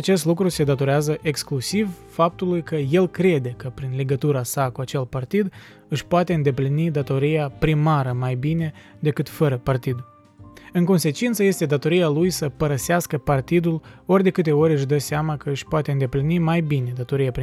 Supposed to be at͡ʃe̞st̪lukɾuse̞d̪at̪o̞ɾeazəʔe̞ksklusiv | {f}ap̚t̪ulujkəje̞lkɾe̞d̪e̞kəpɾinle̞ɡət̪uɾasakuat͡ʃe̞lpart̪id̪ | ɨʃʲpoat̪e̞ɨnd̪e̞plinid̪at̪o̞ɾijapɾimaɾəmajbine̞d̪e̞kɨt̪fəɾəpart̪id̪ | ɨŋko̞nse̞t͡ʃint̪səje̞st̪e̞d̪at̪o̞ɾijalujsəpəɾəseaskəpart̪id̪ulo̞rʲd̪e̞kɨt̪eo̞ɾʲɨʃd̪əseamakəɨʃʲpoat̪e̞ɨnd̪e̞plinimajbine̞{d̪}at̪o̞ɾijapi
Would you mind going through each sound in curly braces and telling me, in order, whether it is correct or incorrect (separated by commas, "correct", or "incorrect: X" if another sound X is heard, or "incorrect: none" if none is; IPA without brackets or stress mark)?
correct, correct